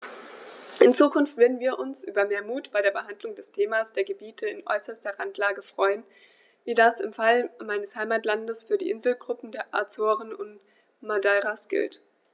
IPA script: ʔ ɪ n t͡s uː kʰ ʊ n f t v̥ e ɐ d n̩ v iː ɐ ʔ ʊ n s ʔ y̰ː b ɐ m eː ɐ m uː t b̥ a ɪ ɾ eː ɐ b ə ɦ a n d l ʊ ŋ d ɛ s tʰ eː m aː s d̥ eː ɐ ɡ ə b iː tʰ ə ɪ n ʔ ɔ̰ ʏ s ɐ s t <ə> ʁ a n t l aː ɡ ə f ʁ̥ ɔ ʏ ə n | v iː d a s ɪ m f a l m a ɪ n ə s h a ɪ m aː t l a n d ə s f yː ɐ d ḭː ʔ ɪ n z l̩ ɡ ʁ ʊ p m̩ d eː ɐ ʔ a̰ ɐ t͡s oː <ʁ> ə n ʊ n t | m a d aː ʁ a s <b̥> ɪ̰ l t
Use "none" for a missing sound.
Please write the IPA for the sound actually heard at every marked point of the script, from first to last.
ɐ, ʁ, ɡ̥

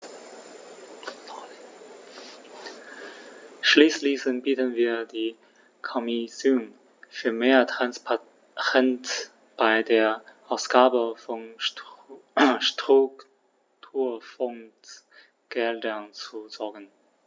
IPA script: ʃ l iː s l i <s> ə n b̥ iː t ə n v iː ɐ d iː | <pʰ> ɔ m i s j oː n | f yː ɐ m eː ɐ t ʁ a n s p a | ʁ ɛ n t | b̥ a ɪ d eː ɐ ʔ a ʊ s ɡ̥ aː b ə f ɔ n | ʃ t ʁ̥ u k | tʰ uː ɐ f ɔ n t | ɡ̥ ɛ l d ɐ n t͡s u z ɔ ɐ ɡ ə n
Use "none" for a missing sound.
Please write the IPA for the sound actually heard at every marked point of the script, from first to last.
s, kʰ

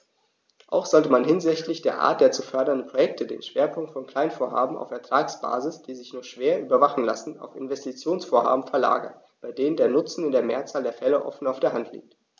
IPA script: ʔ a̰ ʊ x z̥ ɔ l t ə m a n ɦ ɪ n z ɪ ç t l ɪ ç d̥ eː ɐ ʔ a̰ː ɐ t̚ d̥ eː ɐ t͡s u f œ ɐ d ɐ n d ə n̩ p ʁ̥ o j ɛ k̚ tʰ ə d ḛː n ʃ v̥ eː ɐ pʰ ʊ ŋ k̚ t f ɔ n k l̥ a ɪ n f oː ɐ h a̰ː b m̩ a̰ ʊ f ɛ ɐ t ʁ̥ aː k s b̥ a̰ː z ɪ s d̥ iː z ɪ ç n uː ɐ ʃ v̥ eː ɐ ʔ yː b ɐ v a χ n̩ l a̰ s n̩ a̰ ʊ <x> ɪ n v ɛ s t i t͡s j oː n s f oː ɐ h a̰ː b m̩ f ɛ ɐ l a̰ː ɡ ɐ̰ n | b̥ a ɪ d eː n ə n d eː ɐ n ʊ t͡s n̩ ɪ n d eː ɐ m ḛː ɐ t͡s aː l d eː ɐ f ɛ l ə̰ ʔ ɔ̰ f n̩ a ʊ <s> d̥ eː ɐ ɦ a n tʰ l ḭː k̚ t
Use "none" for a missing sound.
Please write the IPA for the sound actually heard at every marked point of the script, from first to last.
f, f

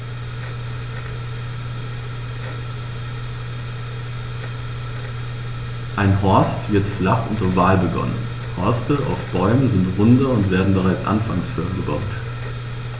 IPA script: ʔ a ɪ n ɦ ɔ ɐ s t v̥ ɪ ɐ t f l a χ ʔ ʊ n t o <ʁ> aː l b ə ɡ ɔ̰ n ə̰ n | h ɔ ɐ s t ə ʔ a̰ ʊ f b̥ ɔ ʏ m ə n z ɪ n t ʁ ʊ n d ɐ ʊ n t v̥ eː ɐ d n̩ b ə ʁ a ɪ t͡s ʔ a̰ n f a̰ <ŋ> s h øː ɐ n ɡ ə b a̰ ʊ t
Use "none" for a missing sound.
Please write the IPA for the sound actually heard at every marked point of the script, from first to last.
v, ŋ

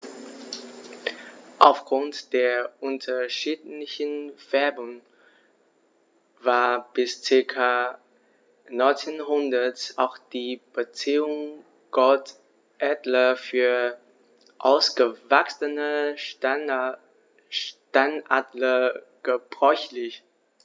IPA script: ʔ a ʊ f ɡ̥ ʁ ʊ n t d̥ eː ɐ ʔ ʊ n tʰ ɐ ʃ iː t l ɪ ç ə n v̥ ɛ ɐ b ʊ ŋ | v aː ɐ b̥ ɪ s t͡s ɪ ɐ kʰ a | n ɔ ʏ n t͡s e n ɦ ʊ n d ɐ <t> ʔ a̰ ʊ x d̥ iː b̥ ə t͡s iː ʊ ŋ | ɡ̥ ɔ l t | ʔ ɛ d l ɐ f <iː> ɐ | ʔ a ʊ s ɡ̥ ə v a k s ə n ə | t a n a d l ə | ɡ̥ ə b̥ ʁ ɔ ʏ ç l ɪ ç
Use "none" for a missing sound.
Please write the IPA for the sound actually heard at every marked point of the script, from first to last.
t, yː

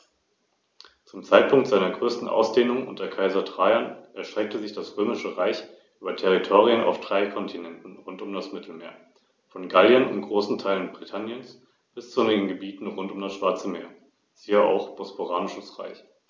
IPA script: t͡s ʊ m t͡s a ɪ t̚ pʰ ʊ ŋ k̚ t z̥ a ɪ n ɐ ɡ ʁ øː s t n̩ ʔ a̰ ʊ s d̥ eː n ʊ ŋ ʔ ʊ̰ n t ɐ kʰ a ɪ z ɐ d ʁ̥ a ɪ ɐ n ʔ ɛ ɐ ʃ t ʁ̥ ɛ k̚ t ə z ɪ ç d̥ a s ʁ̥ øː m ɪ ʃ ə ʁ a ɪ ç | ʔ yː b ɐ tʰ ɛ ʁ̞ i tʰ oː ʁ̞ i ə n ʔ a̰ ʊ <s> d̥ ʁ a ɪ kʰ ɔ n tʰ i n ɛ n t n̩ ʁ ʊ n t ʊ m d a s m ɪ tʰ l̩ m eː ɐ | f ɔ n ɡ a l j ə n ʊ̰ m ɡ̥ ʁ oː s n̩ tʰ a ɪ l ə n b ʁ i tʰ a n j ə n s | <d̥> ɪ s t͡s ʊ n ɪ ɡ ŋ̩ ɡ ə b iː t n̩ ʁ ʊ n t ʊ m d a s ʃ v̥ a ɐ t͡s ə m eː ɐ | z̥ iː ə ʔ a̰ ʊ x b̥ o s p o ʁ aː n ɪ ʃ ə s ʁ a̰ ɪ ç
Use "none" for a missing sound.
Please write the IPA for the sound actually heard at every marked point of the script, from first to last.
f, b̥

